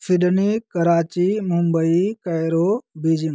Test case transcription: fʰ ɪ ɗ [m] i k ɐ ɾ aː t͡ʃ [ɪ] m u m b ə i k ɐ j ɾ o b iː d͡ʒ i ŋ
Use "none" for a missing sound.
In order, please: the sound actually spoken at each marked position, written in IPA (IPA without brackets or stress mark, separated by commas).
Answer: n, i